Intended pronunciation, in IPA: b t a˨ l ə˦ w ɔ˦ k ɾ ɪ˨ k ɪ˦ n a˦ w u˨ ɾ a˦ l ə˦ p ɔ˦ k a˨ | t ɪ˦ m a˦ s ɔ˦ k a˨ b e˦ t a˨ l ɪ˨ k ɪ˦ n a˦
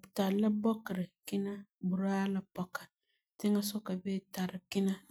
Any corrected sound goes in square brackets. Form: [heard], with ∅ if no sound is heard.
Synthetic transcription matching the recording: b t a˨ l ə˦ [b] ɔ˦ k ɾ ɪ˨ k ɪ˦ n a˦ [b] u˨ ɾ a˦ l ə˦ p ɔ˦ k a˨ | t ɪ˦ [ŋ] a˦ s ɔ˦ k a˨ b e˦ t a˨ [ɾ] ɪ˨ k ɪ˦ n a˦